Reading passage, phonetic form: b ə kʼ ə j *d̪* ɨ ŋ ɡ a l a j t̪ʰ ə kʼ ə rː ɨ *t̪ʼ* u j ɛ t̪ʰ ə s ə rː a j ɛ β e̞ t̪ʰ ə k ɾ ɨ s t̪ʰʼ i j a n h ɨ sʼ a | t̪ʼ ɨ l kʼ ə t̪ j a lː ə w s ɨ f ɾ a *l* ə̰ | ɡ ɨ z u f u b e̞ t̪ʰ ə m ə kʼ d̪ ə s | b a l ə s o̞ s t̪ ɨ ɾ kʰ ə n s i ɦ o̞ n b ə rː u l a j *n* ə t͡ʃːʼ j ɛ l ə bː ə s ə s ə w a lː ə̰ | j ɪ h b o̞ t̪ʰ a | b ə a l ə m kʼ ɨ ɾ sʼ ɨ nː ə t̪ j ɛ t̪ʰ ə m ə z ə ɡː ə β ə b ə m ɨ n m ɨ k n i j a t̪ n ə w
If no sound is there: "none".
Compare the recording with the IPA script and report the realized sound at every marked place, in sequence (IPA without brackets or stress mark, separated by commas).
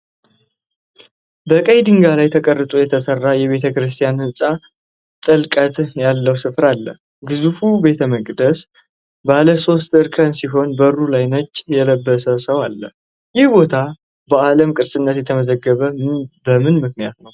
d̪, t̪ʼ, lː, n